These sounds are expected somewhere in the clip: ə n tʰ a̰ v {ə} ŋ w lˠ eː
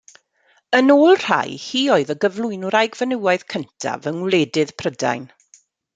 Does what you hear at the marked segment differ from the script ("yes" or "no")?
no